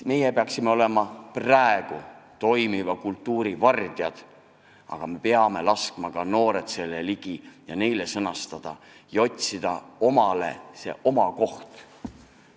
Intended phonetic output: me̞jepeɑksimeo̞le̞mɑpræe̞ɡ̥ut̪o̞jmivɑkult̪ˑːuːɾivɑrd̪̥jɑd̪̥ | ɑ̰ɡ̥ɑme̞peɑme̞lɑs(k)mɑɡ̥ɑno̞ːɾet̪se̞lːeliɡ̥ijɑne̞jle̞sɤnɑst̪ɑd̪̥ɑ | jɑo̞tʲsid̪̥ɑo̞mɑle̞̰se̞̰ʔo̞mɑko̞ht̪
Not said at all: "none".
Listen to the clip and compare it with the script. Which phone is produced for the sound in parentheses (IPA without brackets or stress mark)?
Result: k